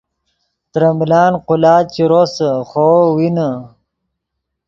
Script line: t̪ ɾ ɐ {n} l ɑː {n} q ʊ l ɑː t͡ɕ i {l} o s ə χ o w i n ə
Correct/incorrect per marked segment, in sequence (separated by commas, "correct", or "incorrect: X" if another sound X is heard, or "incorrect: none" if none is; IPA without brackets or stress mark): incorrect: m, correct, incorrect: ɾ